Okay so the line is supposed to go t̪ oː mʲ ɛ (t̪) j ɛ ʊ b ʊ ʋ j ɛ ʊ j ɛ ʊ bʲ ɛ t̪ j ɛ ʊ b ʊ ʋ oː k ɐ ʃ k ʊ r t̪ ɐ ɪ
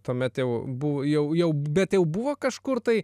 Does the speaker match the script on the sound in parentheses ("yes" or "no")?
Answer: yes